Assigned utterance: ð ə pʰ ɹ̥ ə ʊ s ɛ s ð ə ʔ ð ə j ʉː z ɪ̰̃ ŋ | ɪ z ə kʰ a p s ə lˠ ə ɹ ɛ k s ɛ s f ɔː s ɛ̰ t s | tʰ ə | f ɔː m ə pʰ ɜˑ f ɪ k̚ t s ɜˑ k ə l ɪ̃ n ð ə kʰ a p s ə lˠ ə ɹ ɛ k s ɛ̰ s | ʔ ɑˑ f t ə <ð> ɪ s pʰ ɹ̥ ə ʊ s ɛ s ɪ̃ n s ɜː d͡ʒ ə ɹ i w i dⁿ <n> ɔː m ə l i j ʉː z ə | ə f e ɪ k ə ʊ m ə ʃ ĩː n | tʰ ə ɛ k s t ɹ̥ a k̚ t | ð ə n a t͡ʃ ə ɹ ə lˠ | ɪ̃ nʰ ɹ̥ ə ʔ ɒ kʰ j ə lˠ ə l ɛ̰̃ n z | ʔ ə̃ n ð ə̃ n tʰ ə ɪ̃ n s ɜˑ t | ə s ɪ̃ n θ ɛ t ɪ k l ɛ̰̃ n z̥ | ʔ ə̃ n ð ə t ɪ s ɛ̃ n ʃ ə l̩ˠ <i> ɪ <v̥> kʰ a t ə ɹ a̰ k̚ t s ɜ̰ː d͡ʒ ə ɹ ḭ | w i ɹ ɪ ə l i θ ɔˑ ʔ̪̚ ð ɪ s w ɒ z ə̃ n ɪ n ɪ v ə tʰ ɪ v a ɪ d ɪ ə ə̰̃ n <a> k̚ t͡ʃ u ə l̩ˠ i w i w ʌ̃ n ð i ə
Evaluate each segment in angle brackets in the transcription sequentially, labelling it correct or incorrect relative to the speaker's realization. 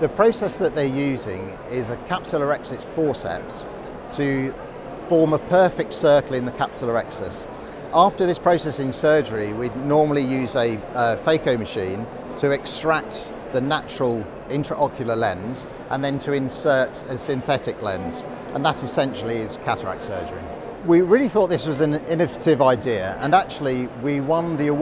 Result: correct, correct, correct, incorrect: z̥, correct

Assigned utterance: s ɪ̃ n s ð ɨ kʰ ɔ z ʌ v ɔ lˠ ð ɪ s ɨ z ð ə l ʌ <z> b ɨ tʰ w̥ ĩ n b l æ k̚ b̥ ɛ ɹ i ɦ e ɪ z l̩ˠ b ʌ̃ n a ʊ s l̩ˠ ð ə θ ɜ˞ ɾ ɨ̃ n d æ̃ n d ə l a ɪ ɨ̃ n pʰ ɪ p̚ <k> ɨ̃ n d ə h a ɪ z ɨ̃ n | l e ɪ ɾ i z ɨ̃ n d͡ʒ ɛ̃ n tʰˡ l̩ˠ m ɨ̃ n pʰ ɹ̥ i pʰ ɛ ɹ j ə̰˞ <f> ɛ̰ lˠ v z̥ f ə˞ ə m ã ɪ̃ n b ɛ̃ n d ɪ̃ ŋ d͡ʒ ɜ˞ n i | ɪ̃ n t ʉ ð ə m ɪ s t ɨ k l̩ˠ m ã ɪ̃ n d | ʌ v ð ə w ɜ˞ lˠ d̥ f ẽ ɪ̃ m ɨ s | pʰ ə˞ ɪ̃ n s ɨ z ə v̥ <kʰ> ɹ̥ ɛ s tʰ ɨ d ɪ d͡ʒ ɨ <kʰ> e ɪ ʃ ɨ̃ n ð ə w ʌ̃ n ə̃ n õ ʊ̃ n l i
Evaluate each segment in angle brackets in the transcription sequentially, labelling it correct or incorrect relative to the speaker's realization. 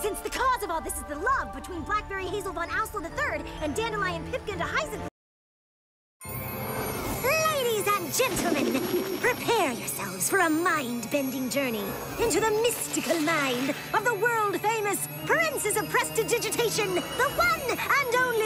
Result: incorrect: v, correct, incorrect: s, incorrect: pʰ, incorrect: tʰ

